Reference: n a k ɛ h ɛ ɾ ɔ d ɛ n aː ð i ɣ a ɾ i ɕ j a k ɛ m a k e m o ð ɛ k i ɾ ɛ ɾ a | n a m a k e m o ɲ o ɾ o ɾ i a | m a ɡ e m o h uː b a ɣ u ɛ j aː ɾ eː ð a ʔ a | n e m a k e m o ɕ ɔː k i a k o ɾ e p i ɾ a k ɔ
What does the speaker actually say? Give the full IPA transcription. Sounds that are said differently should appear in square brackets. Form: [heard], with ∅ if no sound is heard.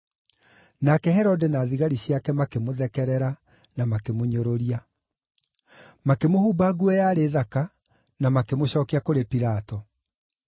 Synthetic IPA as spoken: n a k ɛ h ɛ ɾ ɔ d ɛ n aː ð i ɣ a ɾ i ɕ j a k ɛ m a k e m o ð ɛ k [ɛ] ɾ ɛ ɾ a | n a m a k e m o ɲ o ɾ o ɾ i a | m a [k] e m o h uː b a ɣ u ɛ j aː ɾ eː ð a [k] a | n [a] m a k e m o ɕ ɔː k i a k o ɾ e p i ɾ a [t] ɔ